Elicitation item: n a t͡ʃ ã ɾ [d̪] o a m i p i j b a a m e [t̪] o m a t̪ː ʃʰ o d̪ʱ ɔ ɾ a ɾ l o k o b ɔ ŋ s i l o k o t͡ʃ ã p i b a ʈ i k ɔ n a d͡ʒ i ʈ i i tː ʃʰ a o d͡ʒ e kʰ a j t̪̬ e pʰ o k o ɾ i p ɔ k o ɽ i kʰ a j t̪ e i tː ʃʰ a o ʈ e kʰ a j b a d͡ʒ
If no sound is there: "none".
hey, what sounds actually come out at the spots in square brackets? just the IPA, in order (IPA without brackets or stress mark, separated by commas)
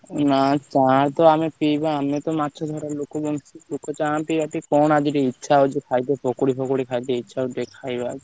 t̪, t̪